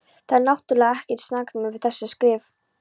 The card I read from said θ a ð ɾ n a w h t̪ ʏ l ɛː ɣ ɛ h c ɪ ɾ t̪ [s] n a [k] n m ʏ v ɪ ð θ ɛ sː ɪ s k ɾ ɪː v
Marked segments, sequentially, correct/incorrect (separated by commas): correct, correct